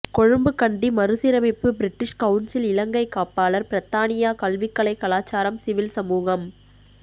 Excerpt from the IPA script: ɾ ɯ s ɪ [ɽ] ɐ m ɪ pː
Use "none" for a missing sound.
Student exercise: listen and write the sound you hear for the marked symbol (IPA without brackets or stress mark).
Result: ɾ